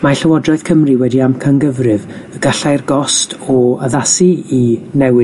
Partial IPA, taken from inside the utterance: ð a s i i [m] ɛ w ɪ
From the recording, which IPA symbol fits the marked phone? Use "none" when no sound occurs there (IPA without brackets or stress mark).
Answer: n